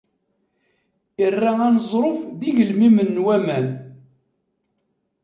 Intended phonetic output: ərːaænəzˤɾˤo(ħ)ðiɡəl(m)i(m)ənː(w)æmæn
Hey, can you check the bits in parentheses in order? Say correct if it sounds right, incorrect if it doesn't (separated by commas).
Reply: incorrect, correct, correct, correct